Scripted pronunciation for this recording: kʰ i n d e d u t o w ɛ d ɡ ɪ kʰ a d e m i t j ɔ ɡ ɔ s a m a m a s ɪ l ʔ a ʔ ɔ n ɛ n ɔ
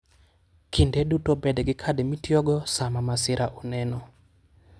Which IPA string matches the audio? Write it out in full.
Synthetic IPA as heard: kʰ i n d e d u t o b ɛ d ɡ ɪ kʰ a d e m i t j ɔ ɡ ɔ s a m a m a s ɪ ɾ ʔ a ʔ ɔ n ɛ n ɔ